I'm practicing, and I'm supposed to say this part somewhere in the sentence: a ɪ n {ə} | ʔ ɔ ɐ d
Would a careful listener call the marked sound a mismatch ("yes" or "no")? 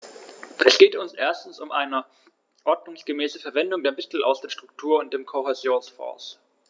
no